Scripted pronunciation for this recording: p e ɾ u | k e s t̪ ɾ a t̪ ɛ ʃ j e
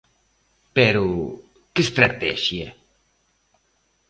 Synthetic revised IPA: p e ɾ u | k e s t̪ ɾ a t̪ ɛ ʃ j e